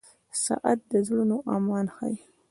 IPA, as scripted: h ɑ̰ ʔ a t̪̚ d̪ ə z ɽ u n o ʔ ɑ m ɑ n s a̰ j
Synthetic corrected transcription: s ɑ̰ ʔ a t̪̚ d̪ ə z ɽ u n o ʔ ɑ m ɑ n x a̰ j